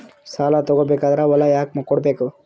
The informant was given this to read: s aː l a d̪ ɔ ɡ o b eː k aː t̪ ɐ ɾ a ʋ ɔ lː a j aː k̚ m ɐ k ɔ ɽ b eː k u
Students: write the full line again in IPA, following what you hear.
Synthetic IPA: s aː l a t̪ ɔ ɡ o b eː k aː d̪ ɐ ɾ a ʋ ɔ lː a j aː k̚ m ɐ k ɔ ɽ b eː k u